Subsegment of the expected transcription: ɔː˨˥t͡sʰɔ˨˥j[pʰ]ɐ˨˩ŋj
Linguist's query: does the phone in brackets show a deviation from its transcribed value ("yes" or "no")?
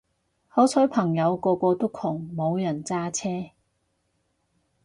no